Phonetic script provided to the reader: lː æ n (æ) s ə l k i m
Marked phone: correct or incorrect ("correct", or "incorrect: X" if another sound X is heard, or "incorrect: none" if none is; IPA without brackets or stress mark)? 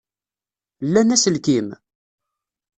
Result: correct